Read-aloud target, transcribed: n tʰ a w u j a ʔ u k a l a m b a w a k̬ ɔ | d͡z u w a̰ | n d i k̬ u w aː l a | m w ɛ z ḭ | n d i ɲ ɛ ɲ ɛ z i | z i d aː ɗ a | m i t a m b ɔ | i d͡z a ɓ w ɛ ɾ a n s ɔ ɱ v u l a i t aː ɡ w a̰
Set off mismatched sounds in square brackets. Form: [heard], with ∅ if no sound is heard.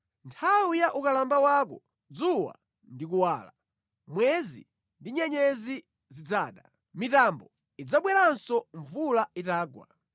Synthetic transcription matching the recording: n tʰ a w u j a ʔ u k a l a m b a w a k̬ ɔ | d͡z u w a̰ | n d i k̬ u w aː l a | m w ɛ z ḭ | n d i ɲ ɛ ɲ ɛ z i | z i [d͡z] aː ɗ a | m i t a m b ɔ | i d͡z a ɓ w ɛ ɾ a n s ɔ ɱ v u l a i t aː ɡ w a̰